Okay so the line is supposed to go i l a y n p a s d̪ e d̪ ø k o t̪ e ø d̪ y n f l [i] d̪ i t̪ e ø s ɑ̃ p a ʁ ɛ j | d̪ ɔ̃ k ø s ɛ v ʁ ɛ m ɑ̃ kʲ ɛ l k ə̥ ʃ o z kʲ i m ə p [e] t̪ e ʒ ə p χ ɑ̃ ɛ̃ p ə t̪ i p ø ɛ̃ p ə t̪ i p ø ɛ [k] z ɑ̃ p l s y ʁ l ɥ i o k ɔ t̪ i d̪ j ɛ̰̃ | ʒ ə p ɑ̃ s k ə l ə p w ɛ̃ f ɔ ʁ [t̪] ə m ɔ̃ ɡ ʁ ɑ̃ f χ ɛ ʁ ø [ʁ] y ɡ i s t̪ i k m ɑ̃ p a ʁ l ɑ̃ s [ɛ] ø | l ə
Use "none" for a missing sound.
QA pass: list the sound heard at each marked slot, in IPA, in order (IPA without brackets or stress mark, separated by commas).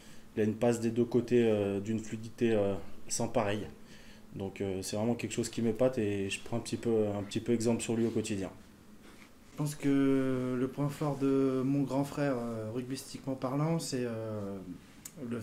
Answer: y, a, ɡ, d̪, ʁ, ɛ